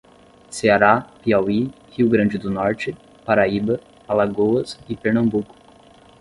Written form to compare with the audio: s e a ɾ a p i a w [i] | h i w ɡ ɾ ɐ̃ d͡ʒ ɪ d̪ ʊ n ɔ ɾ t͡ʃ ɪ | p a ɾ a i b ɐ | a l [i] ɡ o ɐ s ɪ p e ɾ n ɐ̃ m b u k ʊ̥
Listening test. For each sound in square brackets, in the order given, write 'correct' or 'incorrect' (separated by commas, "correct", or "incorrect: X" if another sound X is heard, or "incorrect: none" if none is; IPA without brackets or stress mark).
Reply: correct, incorrect: a